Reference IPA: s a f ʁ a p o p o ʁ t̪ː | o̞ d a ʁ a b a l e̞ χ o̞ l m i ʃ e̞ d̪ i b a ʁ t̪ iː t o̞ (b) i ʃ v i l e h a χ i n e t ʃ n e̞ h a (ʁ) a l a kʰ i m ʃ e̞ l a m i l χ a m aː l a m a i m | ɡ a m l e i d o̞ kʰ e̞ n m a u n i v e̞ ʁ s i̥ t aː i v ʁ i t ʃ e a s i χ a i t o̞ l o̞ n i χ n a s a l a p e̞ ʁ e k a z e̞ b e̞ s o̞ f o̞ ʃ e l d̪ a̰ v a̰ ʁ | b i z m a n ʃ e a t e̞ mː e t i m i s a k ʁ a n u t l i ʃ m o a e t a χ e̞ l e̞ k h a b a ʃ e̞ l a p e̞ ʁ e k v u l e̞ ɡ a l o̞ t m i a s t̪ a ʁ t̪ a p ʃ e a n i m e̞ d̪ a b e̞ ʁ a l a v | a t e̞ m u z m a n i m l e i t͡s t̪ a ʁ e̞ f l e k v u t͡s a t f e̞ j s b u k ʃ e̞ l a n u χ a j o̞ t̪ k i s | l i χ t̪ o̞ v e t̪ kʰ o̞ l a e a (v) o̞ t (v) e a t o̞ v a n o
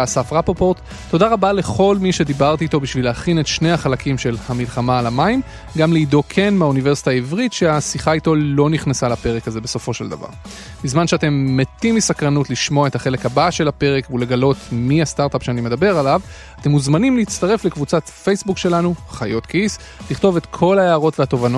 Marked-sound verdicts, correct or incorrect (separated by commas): correct, incorrect, incorrect, correct